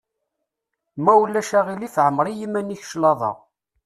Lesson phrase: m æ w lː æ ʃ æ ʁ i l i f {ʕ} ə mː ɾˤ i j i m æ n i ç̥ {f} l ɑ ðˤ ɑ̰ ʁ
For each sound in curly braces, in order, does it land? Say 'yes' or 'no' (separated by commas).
yes, no